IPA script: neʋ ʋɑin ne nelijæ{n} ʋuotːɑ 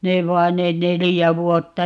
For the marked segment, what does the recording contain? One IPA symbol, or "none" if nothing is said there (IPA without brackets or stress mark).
none